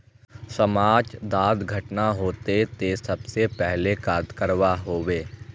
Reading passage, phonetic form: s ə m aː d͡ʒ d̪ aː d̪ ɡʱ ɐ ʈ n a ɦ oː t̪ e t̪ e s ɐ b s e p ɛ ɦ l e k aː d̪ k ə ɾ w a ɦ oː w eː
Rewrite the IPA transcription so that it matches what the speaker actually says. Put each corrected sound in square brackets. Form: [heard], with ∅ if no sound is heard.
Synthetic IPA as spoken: s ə m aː d͡ʒ d̪ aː d̪ ɡʱ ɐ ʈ n a ɦ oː t̪ e t̪ e s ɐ b s e p ɛ ɦ l e k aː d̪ k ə ɾ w a ɦ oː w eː